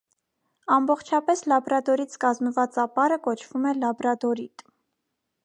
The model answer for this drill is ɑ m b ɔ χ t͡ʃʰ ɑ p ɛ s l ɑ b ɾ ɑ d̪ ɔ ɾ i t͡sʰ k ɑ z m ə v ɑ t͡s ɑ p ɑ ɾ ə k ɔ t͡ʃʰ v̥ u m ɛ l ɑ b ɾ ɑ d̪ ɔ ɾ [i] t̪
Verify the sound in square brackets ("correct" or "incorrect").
correct